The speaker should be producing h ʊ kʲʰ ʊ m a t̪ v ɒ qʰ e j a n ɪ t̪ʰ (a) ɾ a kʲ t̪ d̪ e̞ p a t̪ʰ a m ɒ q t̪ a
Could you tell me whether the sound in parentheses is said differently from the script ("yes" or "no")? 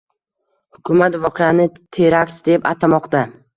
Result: yes